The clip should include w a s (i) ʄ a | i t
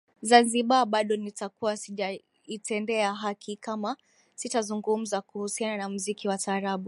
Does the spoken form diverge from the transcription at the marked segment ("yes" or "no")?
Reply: no